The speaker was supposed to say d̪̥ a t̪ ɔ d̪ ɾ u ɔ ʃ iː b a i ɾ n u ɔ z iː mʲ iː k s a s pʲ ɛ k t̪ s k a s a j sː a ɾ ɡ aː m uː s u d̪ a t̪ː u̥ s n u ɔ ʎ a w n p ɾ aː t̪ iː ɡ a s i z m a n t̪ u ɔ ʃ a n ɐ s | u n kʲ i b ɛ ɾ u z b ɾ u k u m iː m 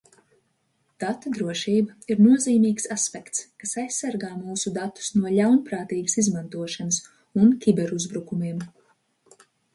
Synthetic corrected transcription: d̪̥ a t̪ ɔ d̪ ɾ u ɔ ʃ iː b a i ɾ n u ɔ z iː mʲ iː k s a s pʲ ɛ k t̪ s k a s a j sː a ɾ ɡ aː m uː s u d̪ a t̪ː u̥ s n u ɔ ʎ a w n p ɾ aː t̪ iː ɡ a s i z m a n t̪ u ɔ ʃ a n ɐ s | u n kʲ i b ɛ ɾ u z b ɾ u k u m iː m